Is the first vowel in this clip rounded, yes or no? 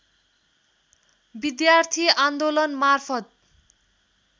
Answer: no